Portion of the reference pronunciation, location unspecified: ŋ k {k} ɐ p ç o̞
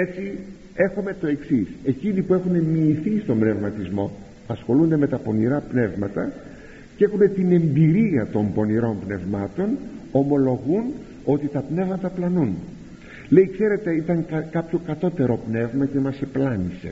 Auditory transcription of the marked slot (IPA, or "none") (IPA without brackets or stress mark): k